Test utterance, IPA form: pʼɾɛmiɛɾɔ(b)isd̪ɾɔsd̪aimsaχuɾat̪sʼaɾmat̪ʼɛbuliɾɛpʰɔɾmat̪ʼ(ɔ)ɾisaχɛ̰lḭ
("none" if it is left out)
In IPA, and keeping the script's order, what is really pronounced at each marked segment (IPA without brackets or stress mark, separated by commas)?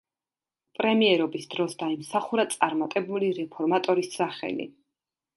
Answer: b, ɔ